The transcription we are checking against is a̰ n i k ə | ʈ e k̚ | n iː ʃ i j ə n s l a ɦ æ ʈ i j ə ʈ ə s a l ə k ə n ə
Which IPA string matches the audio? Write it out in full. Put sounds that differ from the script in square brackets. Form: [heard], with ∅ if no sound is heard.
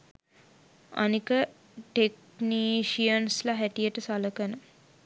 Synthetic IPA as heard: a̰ n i k ə | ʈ e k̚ | n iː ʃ i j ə n s l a ɦ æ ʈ i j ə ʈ ə s a l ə k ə n ə